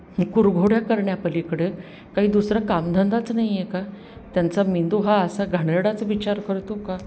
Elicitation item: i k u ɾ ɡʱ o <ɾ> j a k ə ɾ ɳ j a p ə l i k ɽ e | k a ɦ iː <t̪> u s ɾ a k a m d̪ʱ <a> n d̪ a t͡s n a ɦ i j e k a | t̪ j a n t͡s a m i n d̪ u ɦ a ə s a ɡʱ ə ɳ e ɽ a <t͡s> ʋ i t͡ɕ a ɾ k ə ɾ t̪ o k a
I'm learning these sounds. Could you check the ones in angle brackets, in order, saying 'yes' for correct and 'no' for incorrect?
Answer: no, no, no, yes

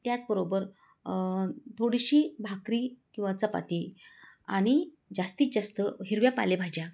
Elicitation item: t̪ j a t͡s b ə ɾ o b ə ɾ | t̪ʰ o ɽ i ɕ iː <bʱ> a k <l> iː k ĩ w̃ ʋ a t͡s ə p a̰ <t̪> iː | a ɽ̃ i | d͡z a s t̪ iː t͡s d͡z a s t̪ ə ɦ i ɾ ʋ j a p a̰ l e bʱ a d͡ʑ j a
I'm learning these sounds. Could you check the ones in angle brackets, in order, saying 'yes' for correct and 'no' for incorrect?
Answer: yes, no, yes

